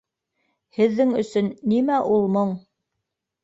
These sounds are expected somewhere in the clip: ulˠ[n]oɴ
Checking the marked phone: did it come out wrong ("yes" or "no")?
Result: yes